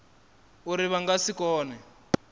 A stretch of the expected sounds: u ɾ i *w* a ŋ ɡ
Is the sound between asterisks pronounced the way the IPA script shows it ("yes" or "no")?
no